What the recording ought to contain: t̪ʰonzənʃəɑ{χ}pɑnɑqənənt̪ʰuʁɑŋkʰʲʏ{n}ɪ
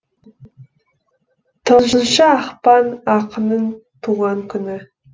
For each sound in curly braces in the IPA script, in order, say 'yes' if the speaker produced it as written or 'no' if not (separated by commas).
yes, yes